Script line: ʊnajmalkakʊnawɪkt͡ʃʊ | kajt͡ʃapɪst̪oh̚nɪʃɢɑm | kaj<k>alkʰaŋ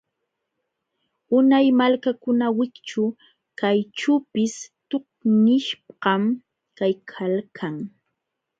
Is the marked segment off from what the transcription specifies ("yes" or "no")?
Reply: yes